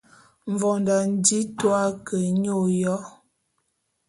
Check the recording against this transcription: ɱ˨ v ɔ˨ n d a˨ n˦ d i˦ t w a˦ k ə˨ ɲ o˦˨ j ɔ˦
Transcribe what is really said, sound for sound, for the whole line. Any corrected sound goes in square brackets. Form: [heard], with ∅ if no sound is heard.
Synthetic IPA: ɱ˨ v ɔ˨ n d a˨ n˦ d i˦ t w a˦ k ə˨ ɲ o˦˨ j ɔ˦